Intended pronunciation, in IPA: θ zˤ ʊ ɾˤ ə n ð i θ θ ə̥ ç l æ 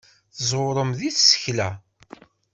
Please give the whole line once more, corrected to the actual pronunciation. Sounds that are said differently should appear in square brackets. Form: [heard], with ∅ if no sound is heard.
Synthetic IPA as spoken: θ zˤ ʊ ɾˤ ə [m] ð i θ [s] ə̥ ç l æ